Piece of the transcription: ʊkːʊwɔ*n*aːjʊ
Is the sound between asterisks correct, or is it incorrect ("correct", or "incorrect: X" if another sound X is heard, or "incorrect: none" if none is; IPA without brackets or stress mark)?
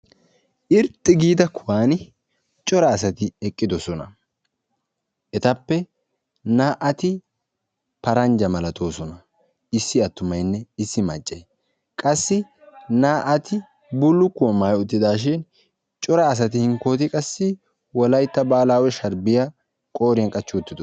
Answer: incorrect: m